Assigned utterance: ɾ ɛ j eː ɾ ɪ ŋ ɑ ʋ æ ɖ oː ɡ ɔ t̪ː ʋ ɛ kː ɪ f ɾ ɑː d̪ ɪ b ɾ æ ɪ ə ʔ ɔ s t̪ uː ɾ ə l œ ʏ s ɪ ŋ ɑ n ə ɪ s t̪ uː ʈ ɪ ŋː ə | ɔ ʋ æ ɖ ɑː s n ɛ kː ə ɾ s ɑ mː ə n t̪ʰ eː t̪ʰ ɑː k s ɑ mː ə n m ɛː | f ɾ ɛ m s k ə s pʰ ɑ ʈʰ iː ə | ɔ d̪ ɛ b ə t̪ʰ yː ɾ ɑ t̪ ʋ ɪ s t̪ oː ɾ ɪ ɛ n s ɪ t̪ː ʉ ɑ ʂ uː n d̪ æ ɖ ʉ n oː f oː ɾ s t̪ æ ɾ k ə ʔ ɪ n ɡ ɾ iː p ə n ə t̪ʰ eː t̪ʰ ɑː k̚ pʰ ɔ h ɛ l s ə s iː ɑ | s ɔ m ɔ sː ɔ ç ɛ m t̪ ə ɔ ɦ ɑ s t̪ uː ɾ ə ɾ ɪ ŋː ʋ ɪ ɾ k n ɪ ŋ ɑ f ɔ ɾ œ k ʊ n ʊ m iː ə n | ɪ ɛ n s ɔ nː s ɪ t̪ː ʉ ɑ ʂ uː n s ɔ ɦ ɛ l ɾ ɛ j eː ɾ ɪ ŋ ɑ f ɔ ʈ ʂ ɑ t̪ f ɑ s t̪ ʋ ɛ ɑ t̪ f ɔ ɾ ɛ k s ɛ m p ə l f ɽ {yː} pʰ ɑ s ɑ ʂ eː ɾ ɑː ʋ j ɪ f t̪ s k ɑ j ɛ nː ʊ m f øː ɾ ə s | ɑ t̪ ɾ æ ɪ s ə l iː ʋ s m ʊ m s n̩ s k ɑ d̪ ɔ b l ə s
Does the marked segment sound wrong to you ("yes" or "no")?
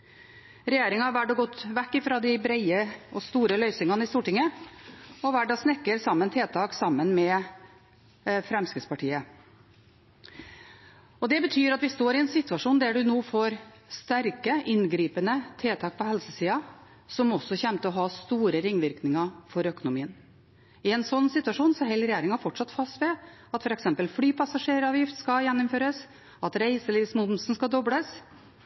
no